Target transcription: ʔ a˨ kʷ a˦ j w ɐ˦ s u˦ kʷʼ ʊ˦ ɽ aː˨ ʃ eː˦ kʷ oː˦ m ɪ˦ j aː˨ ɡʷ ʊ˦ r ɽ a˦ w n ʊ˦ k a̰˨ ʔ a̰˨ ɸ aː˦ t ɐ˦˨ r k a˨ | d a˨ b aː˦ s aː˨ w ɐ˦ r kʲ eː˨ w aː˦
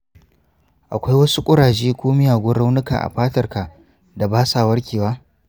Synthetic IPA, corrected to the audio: ʔ a˨ kʷ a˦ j w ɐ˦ s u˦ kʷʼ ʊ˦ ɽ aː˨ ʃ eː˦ kʷ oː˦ m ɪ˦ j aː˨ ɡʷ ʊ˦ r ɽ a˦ w n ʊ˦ k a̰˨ ʔ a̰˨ ɸ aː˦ t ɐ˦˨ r k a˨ | d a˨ b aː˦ s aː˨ w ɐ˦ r kʲ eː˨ w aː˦